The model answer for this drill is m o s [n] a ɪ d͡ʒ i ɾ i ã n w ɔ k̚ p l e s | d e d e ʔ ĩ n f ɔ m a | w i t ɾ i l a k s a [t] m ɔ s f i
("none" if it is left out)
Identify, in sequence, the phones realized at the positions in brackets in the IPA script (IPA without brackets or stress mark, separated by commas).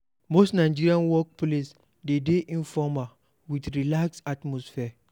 n, t